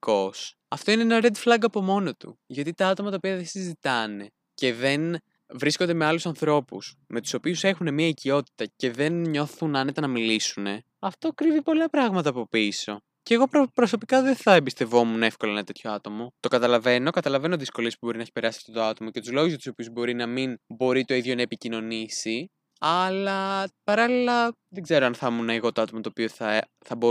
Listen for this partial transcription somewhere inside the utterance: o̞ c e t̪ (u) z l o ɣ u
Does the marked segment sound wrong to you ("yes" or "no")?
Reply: no